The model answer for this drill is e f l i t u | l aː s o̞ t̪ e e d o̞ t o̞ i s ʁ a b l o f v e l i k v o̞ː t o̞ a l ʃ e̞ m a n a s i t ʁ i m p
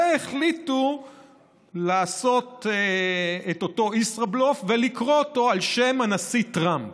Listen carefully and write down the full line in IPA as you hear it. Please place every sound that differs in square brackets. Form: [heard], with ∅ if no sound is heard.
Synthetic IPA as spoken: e [χ] l i t u | l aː s o̞ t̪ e e [t] o̞ t o̞ i s ʁ a b l o f v e l i k [ʁ] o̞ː t o̞ a l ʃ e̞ m a n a s i t ʁ [a] m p